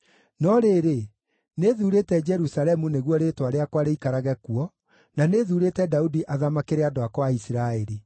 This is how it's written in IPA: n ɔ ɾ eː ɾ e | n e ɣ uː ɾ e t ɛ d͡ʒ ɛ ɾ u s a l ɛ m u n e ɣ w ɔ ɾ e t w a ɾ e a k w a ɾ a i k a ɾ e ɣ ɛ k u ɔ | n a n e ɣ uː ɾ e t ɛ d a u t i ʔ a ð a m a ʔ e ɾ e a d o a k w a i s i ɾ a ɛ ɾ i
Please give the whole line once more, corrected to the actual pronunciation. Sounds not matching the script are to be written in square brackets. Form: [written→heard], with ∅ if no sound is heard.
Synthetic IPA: n ɔ ɾ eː ɾ e | n e [ɣ→ð] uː ɾ e t ɛ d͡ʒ ɛ ɾ u s a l ɛ m u n e ɣ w ɔ ɾ e t w a ɾ e a k w a ɾ [a→e] i k a ɾ [e→a] ɣ ɛ k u ɔ | n a n e [ɣ→ð] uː ɾ e t ɛ d a u [t→d] i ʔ a ð a m a [ʔ→k] e ɾ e a d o a k w a i s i ɾ a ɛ ɾ i

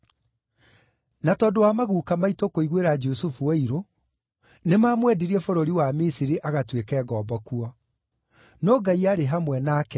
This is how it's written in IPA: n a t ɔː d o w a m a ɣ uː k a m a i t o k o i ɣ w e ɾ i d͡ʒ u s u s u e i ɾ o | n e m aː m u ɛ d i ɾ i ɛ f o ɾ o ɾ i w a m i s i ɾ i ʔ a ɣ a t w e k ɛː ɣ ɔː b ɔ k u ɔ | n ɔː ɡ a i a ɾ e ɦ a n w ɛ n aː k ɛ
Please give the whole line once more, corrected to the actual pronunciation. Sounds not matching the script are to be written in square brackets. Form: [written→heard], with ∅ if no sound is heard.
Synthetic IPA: n a t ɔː d o w a m a ɣ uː k a m a i t o k o i ɣ w e ɾ [i→a] d͡ʒ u s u [s→f] u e i ɾ o | n e m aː m [u→w] ɛ d i ɾ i ɛ f o ɾ o ɾ i w a m i s i ɾ i ʔ a ɣ a t w e k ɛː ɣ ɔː b ɔ k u ɔ | n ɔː ɡ a i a ɾ e ɦ a [n→m] w ɛ n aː k ɛ

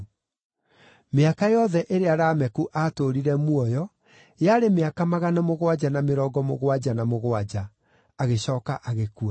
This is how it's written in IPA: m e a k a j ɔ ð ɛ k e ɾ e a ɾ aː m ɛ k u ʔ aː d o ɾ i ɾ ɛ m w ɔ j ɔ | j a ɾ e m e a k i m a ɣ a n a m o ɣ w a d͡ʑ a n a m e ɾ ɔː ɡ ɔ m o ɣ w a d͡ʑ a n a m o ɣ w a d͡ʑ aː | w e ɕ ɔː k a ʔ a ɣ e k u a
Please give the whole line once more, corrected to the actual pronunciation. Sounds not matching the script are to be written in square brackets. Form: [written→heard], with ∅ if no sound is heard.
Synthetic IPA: m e a k a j ɔ ð ɛ [k→ʔ] e ɾ e a ɾ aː m ɛ k u ʔ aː [d→t] o ɾ i ɾ ɛ m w ɔ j ɔ | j a ɾ e m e a k [i→a] m a ɣ a n a m o ɣ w a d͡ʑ a n a m e ɾ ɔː ɡ ɔ m o ɣ w a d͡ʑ a n a m o ɣ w a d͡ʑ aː | [w→ɣ] e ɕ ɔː k a ʔ a ɣ e k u a

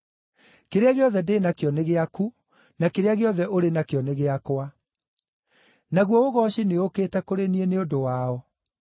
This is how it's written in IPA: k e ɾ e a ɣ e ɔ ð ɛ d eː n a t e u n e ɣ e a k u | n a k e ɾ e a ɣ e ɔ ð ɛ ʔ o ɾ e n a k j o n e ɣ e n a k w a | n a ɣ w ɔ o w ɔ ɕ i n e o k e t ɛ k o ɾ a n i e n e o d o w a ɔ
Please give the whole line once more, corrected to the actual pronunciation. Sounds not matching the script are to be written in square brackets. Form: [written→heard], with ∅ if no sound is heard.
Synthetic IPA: k e ɾ e a ɣ e ɔ ð ɛ d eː n a [t→k] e [u→ɔ] n e ɣ e a k u | n a k e ɾ e a ɣ e ɔ ð ɛ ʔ o ɾ e n a k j [o→ɔ] n e ɣ e [n→∅] a k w a | n a ɣ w ɔ o [w→ɣ] ɔ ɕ i n e o k e t ɛ k o ɾ [a→e] n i e n e o d o w a ɔ

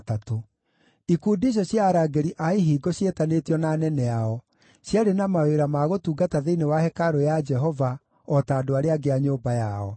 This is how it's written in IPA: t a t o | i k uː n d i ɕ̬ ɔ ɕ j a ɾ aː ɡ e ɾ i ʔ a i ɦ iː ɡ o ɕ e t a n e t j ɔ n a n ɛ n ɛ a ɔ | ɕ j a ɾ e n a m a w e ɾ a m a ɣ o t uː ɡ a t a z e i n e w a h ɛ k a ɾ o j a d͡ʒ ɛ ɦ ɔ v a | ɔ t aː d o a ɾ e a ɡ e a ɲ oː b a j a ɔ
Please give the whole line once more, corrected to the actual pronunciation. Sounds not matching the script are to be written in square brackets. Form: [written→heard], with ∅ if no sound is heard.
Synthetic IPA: t a t o | i k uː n d i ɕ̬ ɔ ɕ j a ɾ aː ɡ e ɾ i ʔ a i ɦ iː ɡ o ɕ e t a n e t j ɔ n a n ɛ n ɛ a ɔ | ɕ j a ɾ e n a m a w e ɾ a m a ɣ o t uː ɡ a t a [z→ð] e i n e w a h ɛ k a ɾ o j a d͡ʒ ɛ ɦ ɔ v a | ɔ t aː d o a ɾ e a ɡ e a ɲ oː b a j a ɔ

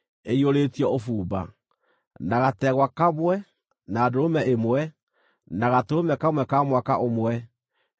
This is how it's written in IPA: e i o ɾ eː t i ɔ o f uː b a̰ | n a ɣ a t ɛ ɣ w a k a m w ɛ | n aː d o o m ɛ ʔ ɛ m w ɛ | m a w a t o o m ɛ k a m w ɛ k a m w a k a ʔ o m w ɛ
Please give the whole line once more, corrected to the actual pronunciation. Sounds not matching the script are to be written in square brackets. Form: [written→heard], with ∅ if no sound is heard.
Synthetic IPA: e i o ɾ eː t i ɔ o f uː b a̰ | n a ɣ a t ɛ ɣ w a k a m w ɛ | n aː d o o m ɛ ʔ [ɛ→e] m w ɛ | [m→n] a [w→ɣ] a t o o m ɛ k a m w ɛ k a m w a k a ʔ o m w ɛ

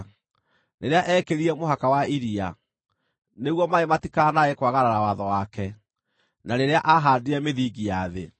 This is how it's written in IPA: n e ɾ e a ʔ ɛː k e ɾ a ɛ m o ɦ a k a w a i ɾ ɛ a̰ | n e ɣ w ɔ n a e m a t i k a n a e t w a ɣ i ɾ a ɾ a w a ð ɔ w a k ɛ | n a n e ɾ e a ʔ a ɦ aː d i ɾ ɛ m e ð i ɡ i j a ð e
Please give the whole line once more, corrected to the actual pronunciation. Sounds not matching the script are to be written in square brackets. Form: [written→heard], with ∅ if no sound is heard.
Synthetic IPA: n e ɾ e a ʔ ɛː k e ɾ [a→i] ɛ m o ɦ a k a w a i ɾ [ɛ→i] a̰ | n e ɣ w ɔ [n→m] a e m a t i k a n a e [t→k] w a ɣ [i→a] ɾ a ɾ a w a ð ɔ w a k ɛ | n a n e ɾ e a ʔ a ɦ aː d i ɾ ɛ m e ð i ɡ i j a ð e

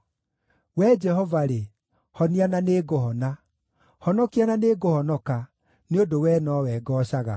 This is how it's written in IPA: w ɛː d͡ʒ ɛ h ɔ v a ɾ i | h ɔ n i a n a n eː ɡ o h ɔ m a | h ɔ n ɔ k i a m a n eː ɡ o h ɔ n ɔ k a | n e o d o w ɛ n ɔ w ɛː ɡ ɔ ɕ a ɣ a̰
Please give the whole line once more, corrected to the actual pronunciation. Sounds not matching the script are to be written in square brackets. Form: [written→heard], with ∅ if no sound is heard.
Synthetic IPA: w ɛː d͡ʒ ɛ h ɔ v a ɾ [i→e] | h ɔ n i a n a n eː ɡ o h ɔ [m→n] a | h ɔ n ɔ k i a [m→n] a n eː ɡ o h ɔ n ɔ k a | n e o d o w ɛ n ɔ w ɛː ɡ ɔ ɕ a ɣ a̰

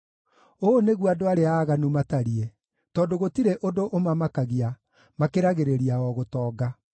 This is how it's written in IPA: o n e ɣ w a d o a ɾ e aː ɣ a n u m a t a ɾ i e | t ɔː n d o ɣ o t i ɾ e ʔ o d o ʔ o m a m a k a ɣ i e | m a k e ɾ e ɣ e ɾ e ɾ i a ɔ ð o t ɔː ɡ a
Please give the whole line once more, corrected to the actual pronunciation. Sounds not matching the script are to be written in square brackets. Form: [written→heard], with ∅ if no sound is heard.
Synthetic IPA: o n e ɣ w a d o a ɾ e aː ɣ a n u m a t a ɾ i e | t ɔː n d o ɣ o t i ɾ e ʔ o d o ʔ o m a m a k a ɣ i [e→a] | m a k e ɾ [e→a] ɣ e ɾ e ɾ i a ɔ [ð→ɣ] o t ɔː ɡ a

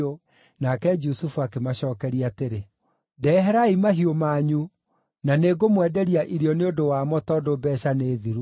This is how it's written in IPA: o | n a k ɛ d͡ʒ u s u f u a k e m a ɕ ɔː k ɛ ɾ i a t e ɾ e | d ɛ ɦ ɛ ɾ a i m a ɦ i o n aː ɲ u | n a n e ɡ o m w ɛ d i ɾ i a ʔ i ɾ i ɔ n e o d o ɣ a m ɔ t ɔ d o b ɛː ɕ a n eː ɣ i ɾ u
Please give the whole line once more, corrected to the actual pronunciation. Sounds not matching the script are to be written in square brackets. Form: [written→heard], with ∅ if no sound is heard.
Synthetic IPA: o | n a k ɛ d͡ʒ u s u f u a k e m a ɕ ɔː k ɛ ɾ i a t e ɾ e | d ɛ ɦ ɛ ɾ a i m a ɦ i o [n→m] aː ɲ u | n a n e ɡ o m w ɛ d [i→ɛ] ɾ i a ʔ i ɾ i ɔ n e o d o [ɣ→w] a m ɔ t ɔ d o b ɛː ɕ a n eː [ɣ→ð] i ɾ u

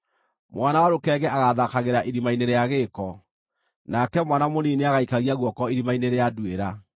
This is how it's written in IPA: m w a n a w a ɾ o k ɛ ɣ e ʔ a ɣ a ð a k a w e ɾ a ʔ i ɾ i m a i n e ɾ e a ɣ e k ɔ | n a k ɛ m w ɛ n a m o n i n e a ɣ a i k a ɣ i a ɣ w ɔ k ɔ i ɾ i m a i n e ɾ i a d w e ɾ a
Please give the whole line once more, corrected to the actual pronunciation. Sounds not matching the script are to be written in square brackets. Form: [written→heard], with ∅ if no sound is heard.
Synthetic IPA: m w a n a w a ɾ o k ɛ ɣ [e→ɛ] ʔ a ɣ a ð a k a [w→ɣ] e ɾ a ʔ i ɾ i m a i n e ɾ e a ɣ e k ɔ | n a k ɛ m w [ɛ→a] n a m o n i n e a ɣ a i k a ɣ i a ɣ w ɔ k ɔ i ɾ i m a i n e ɾ [i→e] a d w e ɾ a

